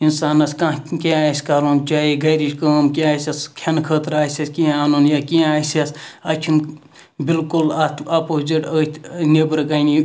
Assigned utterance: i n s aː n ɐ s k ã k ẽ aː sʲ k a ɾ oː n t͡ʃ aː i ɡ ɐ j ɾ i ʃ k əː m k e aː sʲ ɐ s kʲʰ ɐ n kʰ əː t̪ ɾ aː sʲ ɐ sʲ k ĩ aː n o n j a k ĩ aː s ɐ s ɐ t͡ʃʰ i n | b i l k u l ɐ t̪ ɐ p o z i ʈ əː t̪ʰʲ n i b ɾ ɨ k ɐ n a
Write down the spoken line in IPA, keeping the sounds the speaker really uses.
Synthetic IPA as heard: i n s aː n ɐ s k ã k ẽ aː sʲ k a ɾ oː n t͡ʃ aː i ɡ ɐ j ɾ i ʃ k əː m k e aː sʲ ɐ s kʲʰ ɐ n kʰ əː t̪ ɾ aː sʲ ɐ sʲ k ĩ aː n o n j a k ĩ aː s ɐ s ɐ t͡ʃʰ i n | b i l k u l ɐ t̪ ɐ p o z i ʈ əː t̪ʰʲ n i b ɾ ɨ k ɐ n i